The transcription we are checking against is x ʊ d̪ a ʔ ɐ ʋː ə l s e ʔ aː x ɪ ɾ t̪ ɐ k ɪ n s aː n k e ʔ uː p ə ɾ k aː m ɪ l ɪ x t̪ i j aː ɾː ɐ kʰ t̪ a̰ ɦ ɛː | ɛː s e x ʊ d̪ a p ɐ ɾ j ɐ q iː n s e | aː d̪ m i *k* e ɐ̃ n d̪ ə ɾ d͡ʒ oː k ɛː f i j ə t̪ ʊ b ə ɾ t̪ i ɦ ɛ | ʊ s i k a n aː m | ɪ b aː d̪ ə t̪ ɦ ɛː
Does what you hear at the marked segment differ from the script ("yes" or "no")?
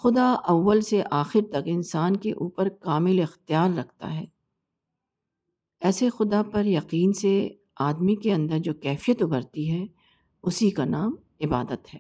no